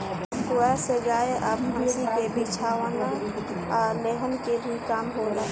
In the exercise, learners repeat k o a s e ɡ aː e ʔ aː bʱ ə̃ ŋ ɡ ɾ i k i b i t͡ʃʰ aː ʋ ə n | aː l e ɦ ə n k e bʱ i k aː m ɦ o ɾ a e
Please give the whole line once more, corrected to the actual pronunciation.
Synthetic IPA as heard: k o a s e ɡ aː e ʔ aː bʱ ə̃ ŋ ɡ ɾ i k e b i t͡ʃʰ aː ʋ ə n | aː l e ɦ ə n k e bʱ i k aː m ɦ o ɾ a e